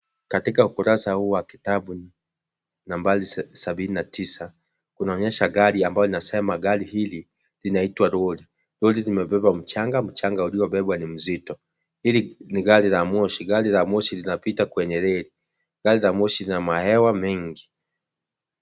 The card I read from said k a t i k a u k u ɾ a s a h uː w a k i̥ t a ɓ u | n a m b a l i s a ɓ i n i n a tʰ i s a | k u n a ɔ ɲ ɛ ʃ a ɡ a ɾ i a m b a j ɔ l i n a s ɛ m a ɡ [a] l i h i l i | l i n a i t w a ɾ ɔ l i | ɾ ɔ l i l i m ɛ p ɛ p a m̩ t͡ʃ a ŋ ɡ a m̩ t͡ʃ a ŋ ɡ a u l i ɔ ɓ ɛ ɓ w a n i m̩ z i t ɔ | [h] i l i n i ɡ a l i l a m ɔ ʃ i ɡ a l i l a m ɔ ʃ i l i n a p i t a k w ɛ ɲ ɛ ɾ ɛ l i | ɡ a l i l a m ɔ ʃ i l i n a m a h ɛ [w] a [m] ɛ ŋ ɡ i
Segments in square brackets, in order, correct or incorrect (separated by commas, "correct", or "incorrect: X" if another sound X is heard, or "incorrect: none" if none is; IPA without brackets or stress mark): correct, correct, correct, correct